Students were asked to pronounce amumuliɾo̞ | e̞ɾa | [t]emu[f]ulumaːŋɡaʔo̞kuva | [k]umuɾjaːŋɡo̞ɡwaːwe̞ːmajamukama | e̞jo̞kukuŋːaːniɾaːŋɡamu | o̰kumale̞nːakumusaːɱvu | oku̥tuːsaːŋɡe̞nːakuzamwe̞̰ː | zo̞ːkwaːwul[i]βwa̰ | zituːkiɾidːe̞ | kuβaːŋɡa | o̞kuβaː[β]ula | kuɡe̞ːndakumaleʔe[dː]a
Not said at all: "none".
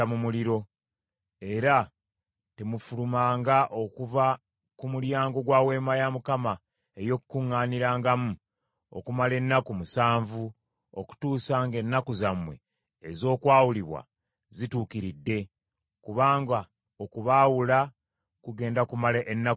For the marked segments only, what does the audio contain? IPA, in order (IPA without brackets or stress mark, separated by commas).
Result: t, f, k, i, w, nː